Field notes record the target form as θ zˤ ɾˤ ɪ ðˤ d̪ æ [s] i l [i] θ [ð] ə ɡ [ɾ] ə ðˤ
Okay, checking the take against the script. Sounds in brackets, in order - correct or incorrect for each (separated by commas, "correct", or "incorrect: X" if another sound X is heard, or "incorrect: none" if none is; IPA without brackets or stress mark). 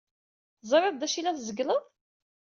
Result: incorrect: ʃ, incorrect: æ, incorrect: z, incorrect: l